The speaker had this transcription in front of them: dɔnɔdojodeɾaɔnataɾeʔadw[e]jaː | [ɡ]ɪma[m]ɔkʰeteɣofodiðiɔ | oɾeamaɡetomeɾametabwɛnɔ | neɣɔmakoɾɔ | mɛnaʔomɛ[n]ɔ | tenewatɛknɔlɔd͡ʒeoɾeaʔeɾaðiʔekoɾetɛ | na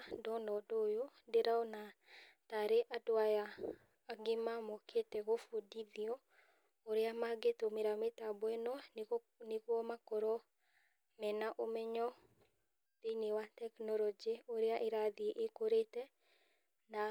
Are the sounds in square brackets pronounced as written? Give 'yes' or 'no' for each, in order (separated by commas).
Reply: no, yes, yes, no